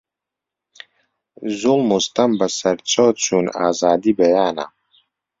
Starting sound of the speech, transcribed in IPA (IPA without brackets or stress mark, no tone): z